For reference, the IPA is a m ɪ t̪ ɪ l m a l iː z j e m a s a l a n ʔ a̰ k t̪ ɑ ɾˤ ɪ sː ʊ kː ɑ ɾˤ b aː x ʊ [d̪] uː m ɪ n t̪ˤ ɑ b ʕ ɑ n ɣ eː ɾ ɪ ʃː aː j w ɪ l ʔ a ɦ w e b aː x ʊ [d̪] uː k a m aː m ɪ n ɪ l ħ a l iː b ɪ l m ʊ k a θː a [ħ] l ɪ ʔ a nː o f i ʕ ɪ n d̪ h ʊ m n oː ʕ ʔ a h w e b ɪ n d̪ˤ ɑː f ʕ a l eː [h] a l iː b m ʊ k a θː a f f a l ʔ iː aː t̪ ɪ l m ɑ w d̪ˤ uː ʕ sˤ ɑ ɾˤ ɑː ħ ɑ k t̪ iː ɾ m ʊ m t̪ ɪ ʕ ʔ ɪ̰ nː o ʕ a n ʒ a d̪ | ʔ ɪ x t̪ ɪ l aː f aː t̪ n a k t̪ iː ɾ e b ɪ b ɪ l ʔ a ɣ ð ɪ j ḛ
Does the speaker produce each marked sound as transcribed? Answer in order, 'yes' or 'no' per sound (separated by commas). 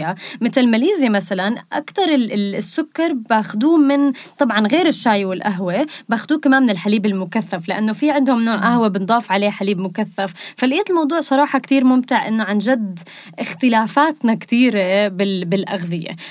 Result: yes, yes, no, no